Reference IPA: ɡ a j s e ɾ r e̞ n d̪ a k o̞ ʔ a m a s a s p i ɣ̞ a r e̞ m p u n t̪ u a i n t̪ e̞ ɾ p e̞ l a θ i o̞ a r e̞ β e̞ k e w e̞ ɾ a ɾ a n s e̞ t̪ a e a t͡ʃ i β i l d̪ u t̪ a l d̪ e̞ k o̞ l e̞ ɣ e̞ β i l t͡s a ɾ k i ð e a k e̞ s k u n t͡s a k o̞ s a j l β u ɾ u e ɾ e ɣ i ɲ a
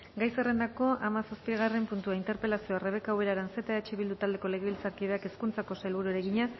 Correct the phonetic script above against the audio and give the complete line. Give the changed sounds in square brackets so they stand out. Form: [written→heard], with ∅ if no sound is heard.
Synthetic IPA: ɡ a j s e [ɾ→∅] r e̞ n d̪ a k o̞ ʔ a m a s a s p i ɣ̞ a r e̞ m p u n t̪ u a i n t̪ e̞ ɾ p e̞ l a [θ→s] i o̞ a r e̞ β e̞ k [e→a] w e̞ ɾ a ɾ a n s e̞ t̪ a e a t͡ʃ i β i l d̪ u t̪ a l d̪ e̞ k o̞ l e̞ ɣ e̞ β i l t͡s a ɾ k i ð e a k e̞ s k u n t͡s a k o̞ s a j l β u ɾ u e ɾ e ɣ i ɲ a